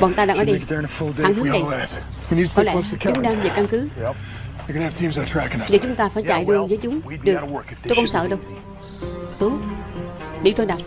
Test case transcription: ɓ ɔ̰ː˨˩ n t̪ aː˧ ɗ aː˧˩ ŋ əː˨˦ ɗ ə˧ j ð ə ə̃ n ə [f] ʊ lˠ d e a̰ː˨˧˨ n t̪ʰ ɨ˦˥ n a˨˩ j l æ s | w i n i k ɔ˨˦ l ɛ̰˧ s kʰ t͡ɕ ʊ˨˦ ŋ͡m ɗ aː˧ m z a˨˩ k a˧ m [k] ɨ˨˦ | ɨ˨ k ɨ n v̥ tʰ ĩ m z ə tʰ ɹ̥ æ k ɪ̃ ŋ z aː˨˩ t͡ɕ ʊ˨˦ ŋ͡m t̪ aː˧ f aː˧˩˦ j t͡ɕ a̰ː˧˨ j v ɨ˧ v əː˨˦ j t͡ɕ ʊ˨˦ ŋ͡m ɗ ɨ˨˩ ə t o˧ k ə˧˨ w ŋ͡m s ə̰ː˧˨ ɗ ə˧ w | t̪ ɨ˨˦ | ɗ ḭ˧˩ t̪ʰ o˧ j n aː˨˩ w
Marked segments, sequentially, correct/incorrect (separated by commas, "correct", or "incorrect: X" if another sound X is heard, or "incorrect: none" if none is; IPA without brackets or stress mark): correct, correct